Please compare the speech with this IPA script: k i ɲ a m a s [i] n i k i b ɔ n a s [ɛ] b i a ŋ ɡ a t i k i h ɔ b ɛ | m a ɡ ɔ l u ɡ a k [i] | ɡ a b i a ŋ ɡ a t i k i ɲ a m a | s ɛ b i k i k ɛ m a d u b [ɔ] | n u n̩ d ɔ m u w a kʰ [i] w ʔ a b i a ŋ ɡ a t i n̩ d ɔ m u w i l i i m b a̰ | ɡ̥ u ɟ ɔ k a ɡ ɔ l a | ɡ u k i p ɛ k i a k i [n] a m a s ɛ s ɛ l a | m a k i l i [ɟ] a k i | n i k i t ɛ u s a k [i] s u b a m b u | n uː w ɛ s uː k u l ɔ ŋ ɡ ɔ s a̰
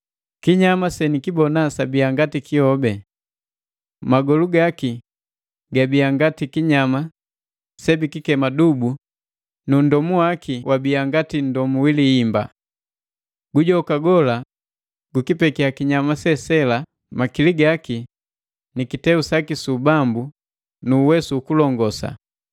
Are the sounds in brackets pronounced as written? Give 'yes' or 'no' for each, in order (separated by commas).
no, no, yes, no, yes, no, no, yes